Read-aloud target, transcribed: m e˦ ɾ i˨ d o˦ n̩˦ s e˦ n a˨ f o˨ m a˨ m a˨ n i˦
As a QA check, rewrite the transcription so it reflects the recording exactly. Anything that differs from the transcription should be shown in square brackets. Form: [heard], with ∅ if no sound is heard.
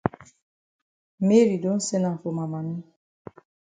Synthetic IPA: m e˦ ɾ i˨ d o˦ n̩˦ s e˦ n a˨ f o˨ m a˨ m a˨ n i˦